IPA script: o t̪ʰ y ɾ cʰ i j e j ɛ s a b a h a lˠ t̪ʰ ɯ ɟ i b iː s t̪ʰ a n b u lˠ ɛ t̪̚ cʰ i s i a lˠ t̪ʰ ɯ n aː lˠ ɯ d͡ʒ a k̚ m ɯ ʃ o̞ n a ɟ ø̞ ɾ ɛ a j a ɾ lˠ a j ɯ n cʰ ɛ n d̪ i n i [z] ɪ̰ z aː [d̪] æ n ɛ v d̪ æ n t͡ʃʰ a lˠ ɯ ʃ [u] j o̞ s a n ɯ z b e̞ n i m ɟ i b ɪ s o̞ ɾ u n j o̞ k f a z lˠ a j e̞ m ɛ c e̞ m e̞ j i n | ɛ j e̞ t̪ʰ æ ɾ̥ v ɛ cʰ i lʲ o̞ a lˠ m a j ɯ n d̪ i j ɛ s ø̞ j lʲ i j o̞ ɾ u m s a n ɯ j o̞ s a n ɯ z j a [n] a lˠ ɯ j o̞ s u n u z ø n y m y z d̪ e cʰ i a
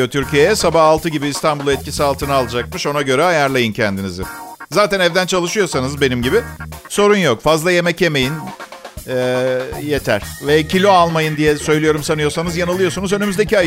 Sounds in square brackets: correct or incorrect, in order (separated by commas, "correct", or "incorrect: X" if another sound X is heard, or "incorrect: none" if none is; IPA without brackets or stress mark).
correct, incorrect: t̪, incorrect: ɯ, correct